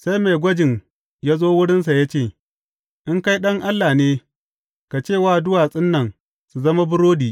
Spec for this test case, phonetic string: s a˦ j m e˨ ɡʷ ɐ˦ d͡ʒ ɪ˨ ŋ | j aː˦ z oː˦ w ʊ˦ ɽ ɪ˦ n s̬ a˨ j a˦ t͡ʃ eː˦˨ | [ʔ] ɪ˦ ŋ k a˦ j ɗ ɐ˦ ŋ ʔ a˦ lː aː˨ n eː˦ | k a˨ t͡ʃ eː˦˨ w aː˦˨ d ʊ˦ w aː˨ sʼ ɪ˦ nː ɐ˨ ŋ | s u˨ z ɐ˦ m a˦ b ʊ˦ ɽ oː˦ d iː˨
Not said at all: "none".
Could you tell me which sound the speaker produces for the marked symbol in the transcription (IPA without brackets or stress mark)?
ʔ